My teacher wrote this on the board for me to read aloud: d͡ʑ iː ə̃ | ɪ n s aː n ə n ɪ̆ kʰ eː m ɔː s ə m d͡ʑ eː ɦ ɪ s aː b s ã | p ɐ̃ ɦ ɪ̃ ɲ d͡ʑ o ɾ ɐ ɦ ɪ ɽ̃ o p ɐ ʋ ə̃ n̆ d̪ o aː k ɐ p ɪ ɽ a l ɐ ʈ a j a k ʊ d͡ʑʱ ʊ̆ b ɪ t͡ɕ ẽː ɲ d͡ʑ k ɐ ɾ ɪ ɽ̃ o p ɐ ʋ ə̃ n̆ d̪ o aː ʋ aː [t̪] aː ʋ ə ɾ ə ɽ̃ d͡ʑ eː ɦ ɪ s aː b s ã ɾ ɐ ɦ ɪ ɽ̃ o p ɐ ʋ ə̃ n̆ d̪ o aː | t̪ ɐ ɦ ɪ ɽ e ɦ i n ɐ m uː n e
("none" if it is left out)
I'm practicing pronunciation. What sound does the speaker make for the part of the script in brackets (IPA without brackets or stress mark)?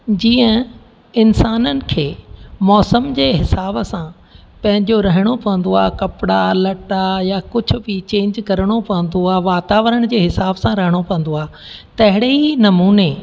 t̪